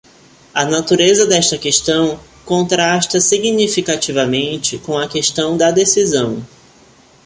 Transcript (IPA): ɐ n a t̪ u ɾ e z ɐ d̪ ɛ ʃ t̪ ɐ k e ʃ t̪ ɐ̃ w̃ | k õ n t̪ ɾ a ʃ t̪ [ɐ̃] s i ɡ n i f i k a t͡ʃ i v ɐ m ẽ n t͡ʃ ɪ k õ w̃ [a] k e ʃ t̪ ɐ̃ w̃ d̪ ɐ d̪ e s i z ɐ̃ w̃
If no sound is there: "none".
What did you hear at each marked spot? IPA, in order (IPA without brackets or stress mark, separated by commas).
ɐ, ɐ